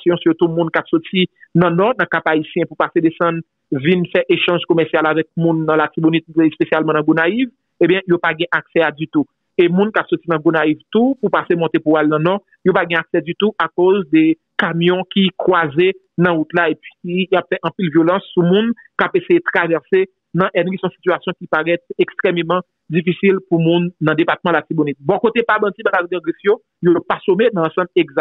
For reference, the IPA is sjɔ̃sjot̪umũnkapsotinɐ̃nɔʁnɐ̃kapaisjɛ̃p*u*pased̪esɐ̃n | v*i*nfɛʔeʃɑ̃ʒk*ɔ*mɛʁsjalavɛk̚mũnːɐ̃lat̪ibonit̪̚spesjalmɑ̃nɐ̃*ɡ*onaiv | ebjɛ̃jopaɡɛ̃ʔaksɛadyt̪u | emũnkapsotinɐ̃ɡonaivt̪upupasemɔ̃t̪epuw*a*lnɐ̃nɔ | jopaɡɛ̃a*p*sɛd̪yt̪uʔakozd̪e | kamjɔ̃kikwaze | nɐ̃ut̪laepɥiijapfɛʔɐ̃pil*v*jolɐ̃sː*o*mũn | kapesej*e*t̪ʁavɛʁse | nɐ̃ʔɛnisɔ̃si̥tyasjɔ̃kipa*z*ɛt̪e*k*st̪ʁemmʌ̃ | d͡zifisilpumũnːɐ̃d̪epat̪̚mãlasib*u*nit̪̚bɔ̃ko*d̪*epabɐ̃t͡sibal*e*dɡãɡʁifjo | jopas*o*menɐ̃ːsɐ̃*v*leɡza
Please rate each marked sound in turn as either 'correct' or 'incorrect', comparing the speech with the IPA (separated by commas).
correct, correct, incorrect, correct, correct, incorrect, correct, incorrect, correct, incorrect, correct, incorrect, incorrect, incorrect, correct, incorrect